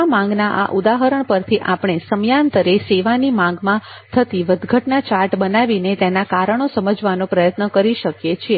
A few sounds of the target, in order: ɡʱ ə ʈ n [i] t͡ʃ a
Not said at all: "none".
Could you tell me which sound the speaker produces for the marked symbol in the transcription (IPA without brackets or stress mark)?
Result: a